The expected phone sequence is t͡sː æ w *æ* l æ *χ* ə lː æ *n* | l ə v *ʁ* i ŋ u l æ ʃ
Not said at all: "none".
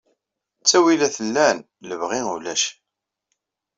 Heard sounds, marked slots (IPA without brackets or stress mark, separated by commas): i, θ, n, ʁ